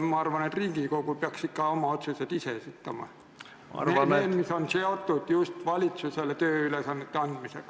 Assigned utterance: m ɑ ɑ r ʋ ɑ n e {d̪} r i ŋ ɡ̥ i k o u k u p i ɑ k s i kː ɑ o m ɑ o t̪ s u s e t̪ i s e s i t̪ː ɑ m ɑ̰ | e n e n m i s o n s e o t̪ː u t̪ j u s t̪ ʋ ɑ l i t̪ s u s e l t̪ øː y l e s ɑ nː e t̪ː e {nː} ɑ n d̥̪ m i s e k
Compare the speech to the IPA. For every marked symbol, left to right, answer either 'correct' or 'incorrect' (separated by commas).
incorrect, incorrect